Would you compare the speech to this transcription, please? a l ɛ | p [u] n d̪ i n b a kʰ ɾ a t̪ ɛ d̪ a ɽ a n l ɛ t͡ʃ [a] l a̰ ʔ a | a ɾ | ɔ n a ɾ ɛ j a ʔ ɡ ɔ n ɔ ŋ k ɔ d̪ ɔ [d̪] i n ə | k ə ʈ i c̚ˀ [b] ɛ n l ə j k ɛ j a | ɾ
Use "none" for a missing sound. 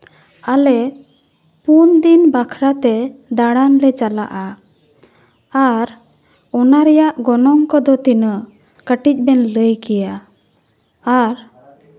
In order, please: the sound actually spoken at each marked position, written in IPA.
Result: u, a, t̪, b

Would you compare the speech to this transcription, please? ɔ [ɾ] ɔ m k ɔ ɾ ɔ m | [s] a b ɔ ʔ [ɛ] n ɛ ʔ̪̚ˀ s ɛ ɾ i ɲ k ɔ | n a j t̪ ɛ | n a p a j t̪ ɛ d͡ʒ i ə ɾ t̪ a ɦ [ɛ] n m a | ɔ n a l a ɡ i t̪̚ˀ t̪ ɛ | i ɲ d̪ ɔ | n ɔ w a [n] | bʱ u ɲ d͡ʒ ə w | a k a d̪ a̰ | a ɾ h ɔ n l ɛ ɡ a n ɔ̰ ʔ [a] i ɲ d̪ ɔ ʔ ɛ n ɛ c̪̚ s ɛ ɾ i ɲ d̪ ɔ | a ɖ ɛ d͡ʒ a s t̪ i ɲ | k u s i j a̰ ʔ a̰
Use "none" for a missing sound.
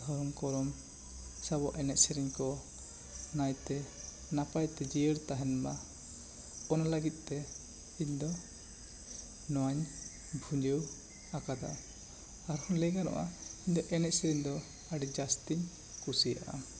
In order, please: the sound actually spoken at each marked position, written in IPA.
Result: ɾ, s, ɛ, ɛ, ɲ, a

